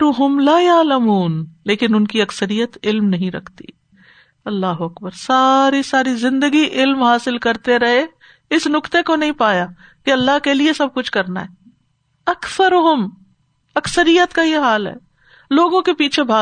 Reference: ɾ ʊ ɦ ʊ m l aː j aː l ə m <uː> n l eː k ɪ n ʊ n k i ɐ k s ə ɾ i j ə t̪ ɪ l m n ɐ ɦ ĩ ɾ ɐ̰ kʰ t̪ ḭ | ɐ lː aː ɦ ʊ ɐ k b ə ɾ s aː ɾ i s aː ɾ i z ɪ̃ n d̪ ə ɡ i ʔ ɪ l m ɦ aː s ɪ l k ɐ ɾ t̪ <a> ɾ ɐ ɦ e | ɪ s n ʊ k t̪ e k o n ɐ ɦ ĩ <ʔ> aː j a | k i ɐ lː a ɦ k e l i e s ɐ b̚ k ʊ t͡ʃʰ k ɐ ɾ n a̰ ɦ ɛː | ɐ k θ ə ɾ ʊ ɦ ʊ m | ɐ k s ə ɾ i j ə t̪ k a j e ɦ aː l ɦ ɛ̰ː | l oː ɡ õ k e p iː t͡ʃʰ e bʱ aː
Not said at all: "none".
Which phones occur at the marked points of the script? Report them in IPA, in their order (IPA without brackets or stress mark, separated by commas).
uː, e, p